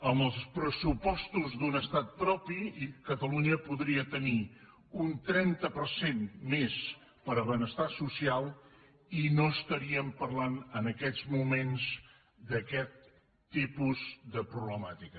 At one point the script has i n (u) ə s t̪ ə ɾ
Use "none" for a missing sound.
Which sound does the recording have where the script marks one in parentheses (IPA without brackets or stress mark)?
o